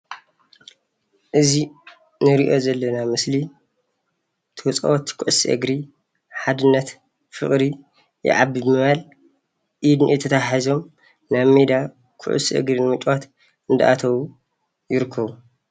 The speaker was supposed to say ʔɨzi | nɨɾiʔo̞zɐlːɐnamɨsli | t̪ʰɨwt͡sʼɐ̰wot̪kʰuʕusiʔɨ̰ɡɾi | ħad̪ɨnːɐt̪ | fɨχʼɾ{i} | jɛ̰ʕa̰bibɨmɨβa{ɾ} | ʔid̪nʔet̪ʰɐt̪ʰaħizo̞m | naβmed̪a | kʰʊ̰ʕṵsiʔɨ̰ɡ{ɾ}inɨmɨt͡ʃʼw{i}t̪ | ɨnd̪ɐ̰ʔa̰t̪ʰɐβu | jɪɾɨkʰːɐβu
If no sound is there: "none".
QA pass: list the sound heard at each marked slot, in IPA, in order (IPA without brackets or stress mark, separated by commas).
i, l, ɾ, a